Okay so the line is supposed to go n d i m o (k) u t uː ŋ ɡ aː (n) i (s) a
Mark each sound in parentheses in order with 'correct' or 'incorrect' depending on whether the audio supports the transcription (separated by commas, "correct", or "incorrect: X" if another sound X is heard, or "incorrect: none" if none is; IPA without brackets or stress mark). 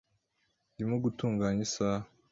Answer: incorrect: ɡ, incorrect: ɲ, correct